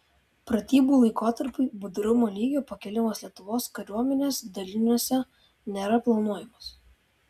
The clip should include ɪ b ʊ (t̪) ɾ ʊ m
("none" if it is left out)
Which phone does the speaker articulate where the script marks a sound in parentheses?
d̪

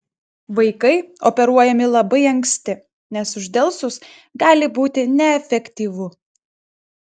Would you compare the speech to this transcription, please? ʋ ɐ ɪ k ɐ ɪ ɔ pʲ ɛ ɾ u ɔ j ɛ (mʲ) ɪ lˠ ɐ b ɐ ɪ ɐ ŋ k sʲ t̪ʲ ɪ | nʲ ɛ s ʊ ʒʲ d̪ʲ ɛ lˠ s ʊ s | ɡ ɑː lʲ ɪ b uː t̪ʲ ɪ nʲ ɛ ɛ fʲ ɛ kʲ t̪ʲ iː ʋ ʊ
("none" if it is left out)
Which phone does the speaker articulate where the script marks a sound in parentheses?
mʲ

